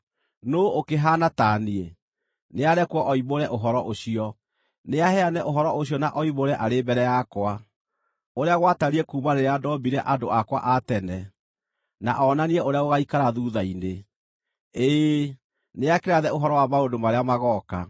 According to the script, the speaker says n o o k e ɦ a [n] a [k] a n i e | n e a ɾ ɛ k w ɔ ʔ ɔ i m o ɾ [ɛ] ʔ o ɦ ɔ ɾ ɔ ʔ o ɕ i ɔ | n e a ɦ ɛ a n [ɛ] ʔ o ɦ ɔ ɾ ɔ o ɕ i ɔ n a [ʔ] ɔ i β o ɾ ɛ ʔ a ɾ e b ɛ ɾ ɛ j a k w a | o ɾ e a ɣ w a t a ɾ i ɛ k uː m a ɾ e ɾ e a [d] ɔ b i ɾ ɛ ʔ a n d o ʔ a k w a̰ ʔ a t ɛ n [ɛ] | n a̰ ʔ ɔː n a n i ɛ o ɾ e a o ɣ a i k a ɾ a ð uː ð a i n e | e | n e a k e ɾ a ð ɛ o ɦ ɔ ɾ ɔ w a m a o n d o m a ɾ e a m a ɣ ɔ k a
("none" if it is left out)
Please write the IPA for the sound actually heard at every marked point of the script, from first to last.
n, t, ɛ, ɛ, ʔ, d, ɛ

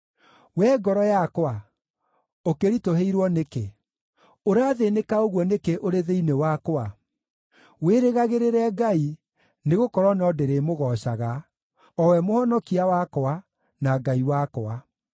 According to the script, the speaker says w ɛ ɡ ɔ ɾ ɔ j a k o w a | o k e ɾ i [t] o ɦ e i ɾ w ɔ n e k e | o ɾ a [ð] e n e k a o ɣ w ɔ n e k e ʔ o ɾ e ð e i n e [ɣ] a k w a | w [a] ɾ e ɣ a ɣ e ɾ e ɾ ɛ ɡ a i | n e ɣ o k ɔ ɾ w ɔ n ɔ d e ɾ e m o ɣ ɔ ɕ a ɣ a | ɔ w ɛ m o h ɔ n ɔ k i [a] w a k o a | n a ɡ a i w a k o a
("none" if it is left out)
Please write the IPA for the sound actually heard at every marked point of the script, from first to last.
t, ð, w, e, a

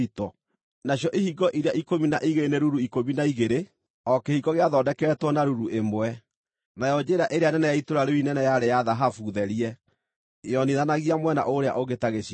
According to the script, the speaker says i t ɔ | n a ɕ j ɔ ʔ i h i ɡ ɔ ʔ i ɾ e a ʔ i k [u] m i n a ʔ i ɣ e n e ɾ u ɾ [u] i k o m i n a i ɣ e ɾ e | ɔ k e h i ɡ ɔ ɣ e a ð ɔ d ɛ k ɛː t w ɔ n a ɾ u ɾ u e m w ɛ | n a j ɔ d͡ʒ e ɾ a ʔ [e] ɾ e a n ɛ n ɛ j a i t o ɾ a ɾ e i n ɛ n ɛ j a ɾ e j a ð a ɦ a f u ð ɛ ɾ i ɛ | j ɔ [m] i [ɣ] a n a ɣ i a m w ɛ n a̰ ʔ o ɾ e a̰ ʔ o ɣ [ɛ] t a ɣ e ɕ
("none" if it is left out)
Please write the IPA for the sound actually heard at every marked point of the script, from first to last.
o, u, e, n, ð, e

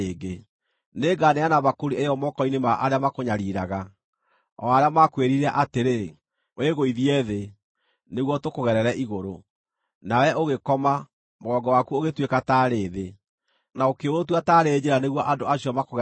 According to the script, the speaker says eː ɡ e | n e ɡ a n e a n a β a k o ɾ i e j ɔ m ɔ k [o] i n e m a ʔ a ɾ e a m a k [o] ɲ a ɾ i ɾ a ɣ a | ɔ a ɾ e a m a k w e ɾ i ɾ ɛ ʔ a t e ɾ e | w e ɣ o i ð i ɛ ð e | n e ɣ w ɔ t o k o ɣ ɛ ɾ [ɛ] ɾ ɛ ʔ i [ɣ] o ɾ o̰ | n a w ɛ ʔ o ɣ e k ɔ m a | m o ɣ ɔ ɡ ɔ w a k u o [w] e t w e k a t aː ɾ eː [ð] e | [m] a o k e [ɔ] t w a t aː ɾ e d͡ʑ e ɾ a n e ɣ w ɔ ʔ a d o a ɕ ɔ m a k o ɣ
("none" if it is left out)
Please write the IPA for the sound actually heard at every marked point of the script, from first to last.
ɔ, o, ɛ, ɣ, ɣ, ð, n, o

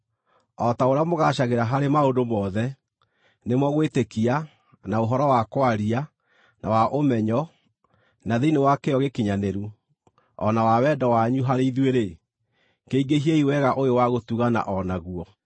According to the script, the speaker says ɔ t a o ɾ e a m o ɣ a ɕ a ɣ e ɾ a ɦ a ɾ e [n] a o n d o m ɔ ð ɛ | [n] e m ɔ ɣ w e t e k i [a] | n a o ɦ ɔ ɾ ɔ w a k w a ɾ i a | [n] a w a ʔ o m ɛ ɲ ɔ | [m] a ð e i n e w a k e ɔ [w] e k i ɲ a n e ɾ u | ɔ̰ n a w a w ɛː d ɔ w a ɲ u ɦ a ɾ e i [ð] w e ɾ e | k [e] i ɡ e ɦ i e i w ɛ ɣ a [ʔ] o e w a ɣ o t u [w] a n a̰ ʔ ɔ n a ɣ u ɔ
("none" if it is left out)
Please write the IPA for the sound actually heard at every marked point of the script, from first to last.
m, n, a, n, n, ɣ, ð, e, ʔ, ɣ

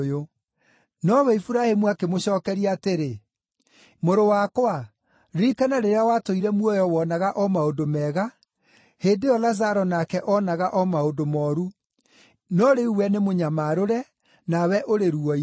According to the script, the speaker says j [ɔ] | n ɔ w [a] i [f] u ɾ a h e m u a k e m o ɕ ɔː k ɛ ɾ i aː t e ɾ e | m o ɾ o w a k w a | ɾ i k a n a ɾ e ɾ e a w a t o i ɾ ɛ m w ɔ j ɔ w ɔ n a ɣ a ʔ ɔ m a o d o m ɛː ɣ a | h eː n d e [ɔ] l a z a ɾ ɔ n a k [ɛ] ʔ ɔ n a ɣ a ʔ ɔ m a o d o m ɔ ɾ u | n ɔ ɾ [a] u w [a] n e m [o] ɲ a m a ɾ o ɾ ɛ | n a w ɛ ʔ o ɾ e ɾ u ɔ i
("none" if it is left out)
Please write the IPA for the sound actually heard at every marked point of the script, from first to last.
o, ɛ, f, ɔ, ɛ, e, ɛ, o

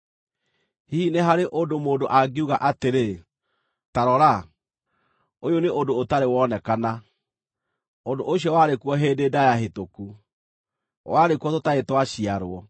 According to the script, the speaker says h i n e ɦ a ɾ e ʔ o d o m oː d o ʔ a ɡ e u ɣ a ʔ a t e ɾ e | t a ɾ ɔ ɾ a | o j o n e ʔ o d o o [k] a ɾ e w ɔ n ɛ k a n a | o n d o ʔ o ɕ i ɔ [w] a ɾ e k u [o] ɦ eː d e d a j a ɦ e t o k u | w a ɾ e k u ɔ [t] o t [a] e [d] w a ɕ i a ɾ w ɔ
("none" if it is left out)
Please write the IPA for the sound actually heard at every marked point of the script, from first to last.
t, w, ɔ, t, a, t

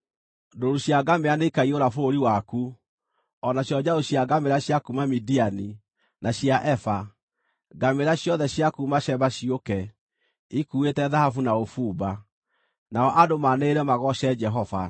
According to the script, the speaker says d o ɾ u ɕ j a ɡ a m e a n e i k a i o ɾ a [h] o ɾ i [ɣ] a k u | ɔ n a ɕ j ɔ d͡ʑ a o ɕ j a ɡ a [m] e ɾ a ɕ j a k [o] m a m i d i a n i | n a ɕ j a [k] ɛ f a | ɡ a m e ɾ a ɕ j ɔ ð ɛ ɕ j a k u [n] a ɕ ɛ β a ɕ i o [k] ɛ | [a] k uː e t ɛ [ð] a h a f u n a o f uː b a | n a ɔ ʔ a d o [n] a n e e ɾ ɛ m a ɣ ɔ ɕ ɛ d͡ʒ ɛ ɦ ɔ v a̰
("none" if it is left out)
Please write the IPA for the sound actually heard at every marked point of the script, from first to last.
f, w, m, u, ʔ, m, k, i, ð, m

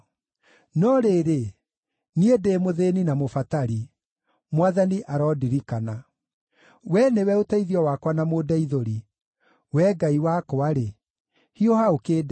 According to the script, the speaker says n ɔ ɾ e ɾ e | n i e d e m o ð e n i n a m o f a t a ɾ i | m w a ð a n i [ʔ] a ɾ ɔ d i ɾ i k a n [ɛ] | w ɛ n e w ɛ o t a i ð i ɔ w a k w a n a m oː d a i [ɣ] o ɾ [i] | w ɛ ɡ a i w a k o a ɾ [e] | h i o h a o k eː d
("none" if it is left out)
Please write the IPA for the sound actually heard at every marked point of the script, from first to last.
ʔ, a, ð, i, e

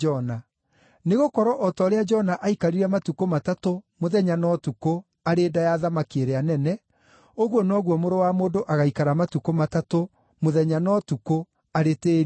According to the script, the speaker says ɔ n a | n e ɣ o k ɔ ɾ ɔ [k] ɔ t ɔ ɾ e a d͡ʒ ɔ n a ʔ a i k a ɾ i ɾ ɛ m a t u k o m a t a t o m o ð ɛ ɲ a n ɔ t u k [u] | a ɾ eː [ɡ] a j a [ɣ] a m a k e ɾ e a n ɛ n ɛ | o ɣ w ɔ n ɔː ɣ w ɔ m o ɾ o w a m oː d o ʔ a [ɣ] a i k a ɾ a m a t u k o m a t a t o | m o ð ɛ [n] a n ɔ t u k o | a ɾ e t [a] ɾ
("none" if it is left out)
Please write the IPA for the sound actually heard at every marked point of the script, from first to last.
ʔ, o, d, ð, ɣ, ɲ, e

